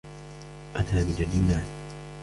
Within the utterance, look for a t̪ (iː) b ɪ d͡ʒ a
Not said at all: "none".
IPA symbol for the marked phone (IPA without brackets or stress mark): aː